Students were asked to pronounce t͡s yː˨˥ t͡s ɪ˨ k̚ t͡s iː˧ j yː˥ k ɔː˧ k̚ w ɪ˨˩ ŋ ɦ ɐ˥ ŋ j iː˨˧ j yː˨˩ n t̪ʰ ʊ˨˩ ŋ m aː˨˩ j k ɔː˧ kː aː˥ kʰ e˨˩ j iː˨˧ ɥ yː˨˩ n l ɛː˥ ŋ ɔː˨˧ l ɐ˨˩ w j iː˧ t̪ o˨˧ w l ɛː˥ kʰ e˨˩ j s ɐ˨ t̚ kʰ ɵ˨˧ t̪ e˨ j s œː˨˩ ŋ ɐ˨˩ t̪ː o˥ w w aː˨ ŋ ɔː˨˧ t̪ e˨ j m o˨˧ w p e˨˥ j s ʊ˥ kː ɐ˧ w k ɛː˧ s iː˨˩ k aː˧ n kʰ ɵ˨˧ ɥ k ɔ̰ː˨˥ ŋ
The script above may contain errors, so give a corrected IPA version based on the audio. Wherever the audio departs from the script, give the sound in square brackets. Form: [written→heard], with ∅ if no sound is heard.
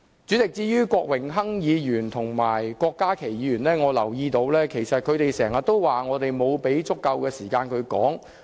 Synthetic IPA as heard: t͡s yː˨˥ t͡s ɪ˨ k̚ t͡s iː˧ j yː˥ k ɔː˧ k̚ w ɪ˨˩ ŋ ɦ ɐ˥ ŋ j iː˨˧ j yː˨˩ n t̪ʰ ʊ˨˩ ŋ m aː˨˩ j k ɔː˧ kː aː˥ kʰ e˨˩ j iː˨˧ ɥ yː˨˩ n l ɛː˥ ŋ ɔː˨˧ l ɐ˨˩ w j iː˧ t̪ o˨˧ w l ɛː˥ kʰ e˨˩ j s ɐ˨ t̚ kʰ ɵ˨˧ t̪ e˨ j s [œː˨˩→ɛː˨˩] ŋ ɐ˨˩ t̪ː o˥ w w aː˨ ŋ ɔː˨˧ t̪ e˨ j m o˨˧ w p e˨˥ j [s→t͡s] ʊ˥ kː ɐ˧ w k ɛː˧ s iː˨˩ k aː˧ n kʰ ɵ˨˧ ɥ k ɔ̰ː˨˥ ŋ